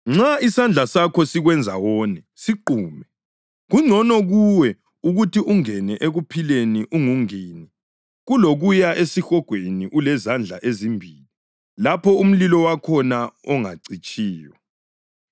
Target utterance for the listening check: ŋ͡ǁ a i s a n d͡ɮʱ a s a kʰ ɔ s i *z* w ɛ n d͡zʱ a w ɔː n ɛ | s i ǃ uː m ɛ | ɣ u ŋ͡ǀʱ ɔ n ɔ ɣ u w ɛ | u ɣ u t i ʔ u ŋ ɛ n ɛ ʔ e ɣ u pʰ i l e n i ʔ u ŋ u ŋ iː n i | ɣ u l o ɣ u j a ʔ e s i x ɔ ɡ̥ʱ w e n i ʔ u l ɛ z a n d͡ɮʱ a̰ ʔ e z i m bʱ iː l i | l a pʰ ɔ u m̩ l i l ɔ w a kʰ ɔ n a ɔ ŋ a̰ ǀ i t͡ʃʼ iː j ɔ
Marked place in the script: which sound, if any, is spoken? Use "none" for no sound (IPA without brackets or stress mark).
ɣ